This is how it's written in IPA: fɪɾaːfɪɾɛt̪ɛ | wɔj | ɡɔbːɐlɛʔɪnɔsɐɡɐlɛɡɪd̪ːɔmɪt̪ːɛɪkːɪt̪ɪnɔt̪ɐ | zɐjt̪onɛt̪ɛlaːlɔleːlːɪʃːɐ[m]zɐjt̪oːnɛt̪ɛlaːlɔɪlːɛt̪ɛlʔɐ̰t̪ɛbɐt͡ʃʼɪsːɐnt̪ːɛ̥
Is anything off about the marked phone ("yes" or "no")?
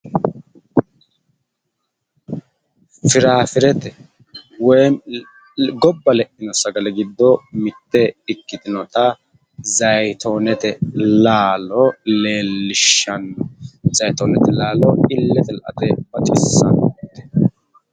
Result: yes